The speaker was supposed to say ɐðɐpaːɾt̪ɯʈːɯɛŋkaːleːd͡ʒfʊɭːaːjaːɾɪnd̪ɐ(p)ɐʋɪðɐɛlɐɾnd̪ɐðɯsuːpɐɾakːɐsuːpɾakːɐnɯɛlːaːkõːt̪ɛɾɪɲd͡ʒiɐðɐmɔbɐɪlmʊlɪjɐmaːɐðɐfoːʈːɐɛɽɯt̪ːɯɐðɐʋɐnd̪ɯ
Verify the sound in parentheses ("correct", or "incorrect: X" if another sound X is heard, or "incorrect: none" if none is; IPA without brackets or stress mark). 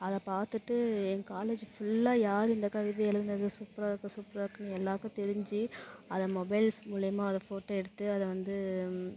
incorrect: k